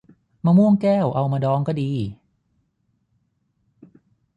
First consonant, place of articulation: labial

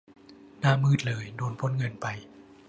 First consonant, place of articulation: alveolar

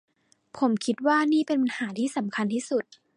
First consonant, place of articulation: labial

